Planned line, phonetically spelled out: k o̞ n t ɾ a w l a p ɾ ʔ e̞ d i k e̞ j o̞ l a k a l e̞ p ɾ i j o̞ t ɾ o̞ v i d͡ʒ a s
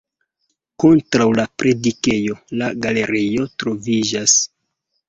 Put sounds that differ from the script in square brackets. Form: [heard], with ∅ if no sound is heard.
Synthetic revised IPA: k o̞ n t ɾ a w l a p ɾ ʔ e̞ d i k e̞ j o̞ l a [ɡ] a l e̞ [∅] ɾ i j o̞ t ɾ o̞ v i d͡ʒ a s